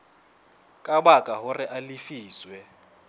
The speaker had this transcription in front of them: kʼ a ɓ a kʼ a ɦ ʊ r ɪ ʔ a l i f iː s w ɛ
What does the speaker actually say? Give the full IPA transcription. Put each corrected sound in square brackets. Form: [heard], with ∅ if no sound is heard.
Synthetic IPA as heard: kʼ a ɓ a kʼ a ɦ ʊ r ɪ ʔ a l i f iː s w ɛ